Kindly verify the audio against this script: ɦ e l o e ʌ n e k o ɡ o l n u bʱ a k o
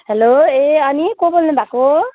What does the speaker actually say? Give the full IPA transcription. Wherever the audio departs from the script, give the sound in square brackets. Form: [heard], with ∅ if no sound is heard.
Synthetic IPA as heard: ɦ e l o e ʌ n [i] k o [b] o l n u bʱ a k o